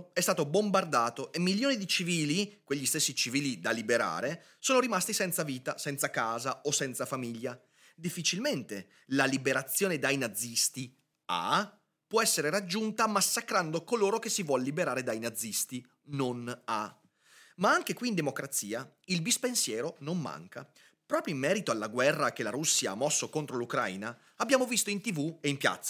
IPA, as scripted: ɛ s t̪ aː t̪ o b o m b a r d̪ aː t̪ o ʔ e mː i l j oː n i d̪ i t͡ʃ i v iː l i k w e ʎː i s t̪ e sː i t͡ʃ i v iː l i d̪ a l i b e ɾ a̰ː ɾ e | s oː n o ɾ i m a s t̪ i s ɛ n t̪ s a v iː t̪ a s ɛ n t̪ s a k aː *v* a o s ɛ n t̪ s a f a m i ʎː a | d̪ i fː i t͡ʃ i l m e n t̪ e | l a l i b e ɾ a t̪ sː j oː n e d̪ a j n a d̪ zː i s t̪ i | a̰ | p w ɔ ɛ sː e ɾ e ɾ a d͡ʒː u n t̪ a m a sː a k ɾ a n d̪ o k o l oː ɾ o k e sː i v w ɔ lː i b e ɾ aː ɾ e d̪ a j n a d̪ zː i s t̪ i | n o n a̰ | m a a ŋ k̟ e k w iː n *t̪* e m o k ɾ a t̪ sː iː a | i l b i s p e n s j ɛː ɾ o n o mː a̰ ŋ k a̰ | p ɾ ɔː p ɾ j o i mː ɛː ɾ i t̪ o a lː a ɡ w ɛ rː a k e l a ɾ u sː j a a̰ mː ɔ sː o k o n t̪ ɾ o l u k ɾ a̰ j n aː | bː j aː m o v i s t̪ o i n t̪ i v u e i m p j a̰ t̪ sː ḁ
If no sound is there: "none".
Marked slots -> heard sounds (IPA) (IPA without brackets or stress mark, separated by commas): z, d̪